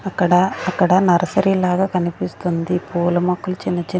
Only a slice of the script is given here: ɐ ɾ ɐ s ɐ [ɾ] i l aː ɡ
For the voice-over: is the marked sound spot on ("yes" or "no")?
yes